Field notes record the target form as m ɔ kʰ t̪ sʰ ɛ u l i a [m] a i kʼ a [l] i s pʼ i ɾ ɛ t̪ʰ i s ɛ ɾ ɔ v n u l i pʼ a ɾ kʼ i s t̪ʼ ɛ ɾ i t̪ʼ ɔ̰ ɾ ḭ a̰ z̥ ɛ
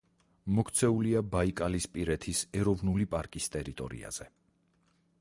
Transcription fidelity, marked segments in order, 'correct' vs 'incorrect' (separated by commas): incorrect, correct